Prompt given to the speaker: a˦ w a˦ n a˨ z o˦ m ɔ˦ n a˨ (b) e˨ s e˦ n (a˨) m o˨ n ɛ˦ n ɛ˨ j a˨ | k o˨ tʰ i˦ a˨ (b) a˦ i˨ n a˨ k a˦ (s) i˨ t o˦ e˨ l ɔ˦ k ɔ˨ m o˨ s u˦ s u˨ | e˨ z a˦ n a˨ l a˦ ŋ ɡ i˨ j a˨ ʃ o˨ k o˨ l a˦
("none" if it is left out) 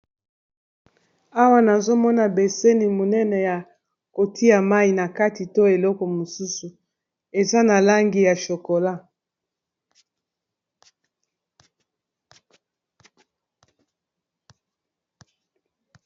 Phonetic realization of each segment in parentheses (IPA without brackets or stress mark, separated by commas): b, i˨, m, t